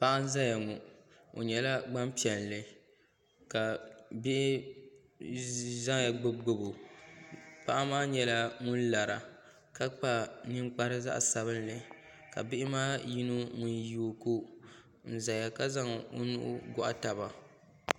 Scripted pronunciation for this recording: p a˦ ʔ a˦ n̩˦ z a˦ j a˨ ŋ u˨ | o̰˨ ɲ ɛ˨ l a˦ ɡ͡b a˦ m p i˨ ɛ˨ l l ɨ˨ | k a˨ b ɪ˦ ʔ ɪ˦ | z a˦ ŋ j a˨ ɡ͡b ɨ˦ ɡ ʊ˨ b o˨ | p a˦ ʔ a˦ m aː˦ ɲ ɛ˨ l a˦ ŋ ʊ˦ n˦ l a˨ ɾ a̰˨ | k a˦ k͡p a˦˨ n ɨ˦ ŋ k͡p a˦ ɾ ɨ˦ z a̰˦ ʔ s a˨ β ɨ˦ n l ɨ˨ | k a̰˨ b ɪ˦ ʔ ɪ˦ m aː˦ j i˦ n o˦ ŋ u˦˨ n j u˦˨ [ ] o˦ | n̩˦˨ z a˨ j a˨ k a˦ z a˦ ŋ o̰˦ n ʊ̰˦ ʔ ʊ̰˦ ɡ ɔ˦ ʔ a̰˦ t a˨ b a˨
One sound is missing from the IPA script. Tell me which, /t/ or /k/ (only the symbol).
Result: k